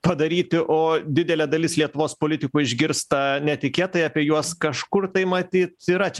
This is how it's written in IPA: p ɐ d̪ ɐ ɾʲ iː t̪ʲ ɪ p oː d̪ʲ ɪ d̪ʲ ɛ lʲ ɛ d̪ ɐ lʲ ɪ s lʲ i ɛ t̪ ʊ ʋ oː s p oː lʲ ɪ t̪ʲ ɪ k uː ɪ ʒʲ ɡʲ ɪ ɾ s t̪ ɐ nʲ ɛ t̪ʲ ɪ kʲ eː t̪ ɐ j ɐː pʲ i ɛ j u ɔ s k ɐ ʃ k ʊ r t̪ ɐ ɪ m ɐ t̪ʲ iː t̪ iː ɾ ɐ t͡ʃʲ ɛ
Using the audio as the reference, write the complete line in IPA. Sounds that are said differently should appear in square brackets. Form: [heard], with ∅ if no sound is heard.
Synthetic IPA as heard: p ɐ d̪ ɐ ɾʲ iː t̪ʲ ɪ [ʔ] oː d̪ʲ ɪ d̪ʲ ɛ lʲ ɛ d̪ ɐ lʲ ɪ s lʲ i ɛ t̪ ʊ ʋ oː s p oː lʲ ɪ t̪ʲ ɪ k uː ɪ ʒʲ ɡʲ ɪ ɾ s t̪ ɐ nʲ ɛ t̪ʲ ɪ kʲ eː t̪ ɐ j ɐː pʲ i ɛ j u ɔ s k ɐ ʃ k ʊ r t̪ ɐ ɪ m ɐ t̪ʲ iː t̪ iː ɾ ɐ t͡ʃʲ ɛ